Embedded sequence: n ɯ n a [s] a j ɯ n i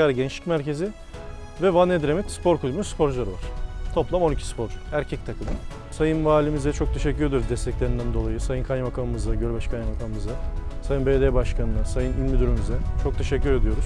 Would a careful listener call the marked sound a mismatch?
no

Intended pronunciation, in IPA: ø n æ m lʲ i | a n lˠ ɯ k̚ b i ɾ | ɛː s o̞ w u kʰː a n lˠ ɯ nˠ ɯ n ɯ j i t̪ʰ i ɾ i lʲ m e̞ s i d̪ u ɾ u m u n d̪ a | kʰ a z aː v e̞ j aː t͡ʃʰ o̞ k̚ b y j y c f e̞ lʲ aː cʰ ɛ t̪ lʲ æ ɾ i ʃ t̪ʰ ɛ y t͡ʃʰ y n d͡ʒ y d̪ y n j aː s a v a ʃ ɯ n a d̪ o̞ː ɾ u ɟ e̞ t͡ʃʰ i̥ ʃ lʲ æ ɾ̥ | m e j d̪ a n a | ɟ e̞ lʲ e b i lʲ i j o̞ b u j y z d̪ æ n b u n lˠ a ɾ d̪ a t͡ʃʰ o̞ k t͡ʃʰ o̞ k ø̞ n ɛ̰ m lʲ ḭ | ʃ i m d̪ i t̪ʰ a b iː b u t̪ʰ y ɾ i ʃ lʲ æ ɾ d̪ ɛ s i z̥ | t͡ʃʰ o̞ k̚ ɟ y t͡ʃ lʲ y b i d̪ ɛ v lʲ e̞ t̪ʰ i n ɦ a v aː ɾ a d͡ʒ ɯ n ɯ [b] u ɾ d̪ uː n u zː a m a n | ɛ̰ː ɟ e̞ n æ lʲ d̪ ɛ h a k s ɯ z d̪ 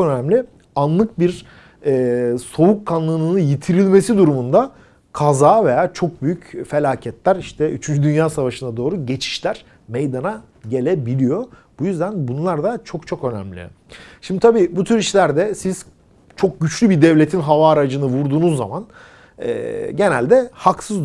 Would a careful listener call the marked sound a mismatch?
yes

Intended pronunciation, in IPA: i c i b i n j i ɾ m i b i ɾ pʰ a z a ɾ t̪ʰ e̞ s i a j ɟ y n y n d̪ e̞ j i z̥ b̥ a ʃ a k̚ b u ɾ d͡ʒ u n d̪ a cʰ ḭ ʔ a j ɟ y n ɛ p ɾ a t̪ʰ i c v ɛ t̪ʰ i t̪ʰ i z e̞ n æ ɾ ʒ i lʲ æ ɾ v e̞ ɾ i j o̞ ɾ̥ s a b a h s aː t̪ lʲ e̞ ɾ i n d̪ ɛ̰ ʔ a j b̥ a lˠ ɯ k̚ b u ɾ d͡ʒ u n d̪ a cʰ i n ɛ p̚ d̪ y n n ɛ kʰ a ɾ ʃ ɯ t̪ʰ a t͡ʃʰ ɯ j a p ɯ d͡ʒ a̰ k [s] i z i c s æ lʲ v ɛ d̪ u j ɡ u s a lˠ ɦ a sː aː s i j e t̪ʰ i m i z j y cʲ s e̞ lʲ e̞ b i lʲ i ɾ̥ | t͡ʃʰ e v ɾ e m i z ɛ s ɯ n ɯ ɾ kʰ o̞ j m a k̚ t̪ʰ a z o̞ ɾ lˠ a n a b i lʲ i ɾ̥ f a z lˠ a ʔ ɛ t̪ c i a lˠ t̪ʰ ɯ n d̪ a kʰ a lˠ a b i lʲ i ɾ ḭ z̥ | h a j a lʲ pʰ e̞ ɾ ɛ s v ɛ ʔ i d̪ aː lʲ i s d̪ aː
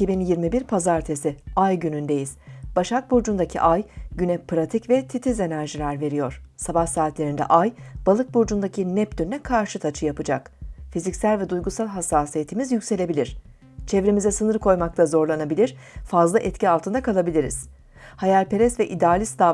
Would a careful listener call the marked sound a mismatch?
yes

